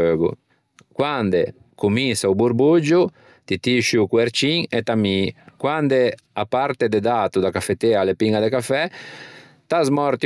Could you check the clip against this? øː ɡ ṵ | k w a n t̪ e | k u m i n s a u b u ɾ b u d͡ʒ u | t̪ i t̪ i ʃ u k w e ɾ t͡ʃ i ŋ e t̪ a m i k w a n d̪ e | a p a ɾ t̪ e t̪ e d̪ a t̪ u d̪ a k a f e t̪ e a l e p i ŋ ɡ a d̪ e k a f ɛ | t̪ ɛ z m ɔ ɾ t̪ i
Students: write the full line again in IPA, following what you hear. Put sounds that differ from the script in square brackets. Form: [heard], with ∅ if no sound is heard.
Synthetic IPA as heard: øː ɡ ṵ | k w a n [d̪] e | k u m i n s a u b u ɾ b u d͡ʒ u | t̪ i t̪ i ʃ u k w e ɾ t͡ʃ i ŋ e t̪ a m i k w a n d̪ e | a p a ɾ t̪ e [d̪] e d̪ a t̪ u d̪ a k a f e t̪ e a l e p i ŋ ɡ a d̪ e k a f ɛ | t̪ [a] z m ɔ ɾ t̪ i